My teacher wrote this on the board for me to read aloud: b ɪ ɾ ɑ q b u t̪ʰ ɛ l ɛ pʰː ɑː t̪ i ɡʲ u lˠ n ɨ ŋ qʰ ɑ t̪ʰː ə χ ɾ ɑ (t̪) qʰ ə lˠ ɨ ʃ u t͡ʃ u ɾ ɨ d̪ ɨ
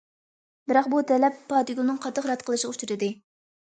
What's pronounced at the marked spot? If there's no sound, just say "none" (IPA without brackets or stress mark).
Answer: t̪